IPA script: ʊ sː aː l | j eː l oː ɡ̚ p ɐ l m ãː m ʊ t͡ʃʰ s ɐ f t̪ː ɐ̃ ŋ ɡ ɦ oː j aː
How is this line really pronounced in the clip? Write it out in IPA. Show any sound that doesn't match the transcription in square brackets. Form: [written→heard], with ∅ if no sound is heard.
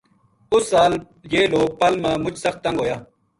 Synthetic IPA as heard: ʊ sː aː l | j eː l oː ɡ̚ p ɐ l m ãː m ʊ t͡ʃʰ s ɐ [f→x] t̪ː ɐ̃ ŋ ɡ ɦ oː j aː